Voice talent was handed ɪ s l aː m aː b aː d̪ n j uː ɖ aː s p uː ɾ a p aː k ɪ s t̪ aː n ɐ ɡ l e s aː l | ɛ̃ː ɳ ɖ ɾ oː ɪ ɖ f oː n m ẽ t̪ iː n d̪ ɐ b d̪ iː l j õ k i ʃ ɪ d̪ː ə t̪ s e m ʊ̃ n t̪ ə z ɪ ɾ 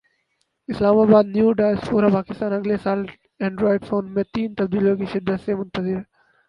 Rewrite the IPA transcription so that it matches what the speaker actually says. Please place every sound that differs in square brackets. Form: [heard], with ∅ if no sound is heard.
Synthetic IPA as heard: ɪ s l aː m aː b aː d̪ n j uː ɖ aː s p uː ɾ a p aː k ɪ s t̪ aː n ɐ ɡ l e s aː l | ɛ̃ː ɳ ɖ ɾ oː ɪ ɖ f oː n m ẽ t̪ iː n [t̪] ɐ b d̪ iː l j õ k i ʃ ɪ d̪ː ə t̪ s e m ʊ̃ n t̪ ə z ɪ ɾ